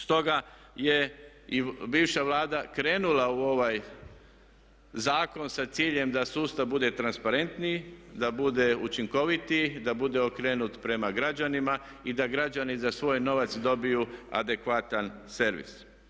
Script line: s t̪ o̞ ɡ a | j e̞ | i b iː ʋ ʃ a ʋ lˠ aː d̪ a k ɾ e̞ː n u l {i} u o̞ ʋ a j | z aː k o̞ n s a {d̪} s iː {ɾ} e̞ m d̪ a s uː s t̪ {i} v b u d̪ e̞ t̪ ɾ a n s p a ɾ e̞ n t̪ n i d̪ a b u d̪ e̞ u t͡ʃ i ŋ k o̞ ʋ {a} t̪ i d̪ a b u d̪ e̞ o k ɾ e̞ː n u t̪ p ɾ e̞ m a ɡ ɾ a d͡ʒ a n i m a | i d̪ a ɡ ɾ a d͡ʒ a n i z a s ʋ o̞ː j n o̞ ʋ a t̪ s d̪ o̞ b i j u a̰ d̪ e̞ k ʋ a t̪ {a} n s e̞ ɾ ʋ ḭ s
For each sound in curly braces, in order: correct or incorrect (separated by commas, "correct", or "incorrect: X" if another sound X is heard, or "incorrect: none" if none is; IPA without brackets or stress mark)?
incorrect: a, incorrect: t̪, incorrect: ʎ, incorrect: a, incorrect: i, correct